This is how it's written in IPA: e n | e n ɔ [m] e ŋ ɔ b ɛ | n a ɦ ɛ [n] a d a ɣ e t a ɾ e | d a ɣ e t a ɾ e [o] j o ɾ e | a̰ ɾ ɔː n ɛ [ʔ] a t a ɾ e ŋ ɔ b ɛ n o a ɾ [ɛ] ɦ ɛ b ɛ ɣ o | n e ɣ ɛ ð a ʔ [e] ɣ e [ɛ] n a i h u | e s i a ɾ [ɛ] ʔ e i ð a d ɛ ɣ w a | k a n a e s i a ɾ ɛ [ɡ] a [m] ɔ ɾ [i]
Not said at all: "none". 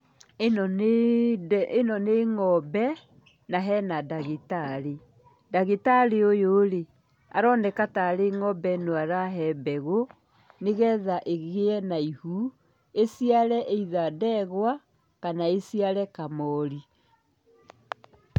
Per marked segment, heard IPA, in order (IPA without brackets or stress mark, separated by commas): n, n, o, k, a, e, ɛ, ɛ, k, m, i